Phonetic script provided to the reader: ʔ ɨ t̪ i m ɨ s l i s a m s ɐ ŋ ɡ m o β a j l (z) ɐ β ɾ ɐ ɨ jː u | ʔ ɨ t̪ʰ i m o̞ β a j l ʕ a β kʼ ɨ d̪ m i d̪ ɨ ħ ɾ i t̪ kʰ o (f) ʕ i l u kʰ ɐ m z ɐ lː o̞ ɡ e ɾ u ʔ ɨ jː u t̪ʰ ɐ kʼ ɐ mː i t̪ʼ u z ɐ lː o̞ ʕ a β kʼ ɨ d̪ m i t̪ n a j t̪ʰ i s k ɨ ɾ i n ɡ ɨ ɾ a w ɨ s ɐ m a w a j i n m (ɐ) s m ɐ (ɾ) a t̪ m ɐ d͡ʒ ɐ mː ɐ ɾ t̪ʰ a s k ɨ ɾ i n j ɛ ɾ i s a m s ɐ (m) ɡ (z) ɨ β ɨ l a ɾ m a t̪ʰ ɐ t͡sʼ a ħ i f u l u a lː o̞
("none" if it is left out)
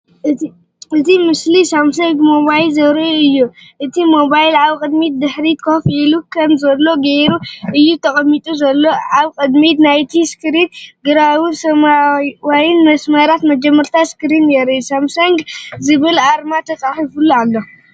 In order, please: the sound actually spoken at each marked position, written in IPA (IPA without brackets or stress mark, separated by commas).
z, f, ɐ, ɾ, ŋ, z